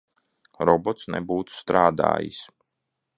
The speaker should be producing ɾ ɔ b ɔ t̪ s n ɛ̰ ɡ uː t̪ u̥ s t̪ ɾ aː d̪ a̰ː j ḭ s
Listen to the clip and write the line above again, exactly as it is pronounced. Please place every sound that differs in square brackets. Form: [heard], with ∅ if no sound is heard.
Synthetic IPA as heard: ɾ ɔ b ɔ t̪ s n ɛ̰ [b] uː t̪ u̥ s t̪ ɾ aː d̪ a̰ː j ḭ s